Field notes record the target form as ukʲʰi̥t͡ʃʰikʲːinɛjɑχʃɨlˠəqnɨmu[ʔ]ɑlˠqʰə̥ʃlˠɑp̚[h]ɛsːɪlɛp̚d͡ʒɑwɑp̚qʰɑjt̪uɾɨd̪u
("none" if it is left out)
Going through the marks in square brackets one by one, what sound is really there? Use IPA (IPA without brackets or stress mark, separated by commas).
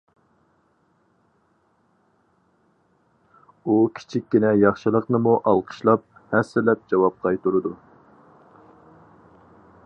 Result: ʔ, h